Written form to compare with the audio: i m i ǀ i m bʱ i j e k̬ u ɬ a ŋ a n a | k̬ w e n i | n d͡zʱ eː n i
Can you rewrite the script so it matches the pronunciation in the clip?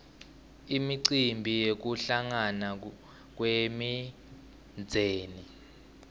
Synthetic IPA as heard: i m i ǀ i m bʱ i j e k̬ u ɬ a ŋ a n a | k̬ w e m i | n d͡zʱ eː n i